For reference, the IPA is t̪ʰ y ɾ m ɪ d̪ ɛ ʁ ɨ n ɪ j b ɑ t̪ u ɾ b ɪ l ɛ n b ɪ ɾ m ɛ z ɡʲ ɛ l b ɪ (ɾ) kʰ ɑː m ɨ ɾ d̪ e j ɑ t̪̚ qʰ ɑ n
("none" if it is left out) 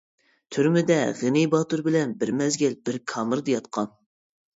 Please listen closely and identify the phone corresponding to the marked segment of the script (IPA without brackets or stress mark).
ɾ